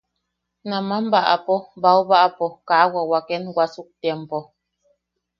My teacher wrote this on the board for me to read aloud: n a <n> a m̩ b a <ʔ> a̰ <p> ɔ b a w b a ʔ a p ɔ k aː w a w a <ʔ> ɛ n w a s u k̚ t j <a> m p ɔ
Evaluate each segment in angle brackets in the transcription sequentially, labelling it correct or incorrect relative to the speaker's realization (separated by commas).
incorrect, correct, correct, incorrect, incorrect